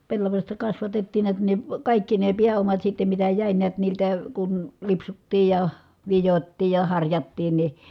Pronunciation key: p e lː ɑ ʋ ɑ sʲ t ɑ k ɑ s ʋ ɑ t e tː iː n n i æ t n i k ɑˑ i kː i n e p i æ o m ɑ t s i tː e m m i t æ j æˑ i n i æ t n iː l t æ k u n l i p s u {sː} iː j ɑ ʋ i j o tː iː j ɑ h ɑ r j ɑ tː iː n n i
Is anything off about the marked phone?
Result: yes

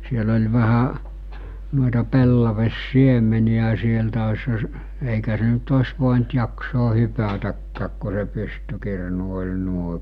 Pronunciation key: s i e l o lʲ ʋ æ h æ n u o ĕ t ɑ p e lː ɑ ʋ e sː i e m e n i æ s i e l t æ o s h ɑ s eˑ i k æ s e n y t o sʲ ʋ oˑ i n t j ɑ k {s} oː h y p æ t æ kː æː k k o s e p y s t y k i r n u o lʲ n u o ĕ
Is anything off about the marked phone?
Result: no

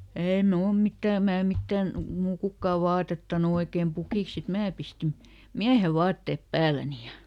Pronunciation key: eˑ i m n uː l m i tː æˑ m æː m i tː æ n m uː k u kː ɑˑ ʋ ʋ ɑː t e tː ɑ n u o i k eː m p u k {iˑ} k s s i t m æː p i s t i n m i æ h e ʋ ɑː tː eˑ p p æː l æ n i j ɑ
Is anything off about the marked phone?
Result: no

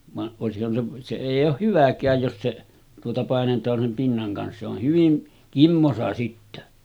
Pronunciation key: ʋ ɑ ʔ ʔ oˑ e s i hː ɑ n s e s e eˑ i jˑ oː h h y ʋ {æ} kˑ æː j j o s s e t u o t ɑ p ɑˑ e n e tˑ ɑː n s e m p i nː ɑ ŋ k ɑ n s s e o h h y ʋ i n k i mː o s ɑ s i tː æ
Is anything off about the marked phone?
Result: no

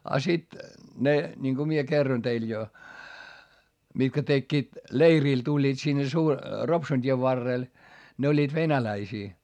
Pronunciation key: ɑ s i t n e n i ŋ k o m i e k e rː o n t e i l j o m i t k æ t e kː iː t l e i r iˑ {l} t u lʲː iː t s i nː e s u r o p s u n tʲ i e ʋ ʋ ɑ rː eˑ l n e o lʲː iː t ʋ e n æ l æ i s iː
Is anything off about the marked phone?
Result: no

